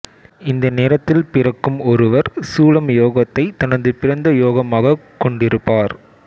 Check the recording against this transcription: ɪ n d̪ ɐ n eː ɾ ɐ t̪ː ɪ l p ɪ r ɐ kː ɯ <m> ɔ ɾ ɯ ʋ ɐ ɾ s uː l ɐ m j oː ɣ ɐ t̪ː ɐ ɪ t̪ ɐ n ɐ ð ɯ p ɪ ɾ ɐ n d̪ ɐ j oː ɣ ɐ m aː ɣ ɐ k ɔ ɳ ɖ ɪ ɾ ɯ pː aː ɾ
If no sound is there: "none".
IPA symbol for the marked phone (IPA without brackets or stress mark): m